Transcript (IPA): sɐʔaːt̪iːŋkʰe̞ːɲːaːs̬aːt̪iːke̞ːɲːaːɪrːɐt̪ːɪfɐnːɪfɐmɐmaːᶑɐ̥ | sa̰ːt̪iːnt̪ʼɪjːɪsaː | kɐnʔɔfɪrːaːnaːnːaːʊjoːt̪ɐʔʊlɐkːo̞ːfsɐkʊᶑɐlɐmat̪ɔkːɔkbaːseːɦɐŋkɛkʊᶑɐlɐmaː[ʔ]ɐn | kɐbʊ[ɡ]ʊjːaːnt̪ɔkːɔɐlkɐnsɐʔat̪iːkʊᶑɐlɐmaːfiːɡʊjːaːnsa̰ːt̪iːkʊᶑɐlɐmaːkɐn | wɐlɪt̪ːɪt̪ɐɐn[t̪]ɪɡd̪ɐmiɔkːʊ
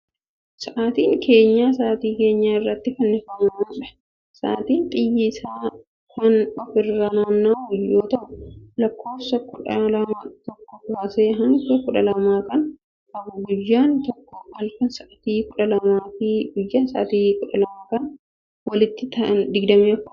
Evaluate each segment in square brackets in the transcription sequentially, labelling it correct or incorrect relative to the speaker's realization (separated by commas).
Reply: incorrect, correct, incorrect